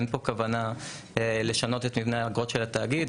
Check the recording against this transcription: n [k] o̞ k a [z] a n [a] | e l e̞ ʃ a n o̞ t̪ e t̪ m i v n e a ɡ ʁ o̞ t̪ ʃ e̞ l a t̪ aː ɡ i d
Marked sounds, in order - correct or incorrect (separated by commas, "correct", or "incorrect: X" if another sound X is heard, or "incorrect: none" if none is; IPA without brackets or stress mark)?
incorrect: p, incorrect: v, correct